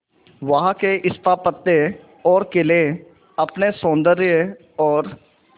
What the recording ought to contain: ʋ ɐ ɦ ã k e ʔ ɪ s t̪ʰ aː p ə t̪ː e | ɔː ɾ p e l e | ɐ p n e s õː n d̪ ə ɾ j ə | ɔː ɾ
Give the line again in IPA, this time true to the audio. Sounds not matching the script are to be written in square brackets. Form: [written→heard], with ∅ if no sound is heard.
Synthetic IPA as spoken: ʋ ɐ ɦ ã k e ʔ ɪ s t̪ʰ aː p ə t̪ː e | ɔː ɾ [p→k] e l e | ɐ p n e s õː n d̪ ə ɾ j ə | ɔː ɾ